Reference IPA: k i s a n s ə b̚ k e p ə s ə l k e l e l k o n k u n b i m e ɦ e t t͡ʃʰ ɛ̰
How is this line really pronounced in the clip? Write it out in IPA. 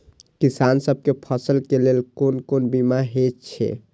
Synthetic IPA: k i s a n s ə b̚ k e pʰ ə s ə l k e l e l k o n k o n b i m a ɦ e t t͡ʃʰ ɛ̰